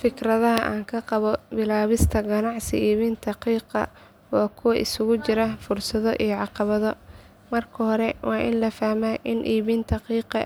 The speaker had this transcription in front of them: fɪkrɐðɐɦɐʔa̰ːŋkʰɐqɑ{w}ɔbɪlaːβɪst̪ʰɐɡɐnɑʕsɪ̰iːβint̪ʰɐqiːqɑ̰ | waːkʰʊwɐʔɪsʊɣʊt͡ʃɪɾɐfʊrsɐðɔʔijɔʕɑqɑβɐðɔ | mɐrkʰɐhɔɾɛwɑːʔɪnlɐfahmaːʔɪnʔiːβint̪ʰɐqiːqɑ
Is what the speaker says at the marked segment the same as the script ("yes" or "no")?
no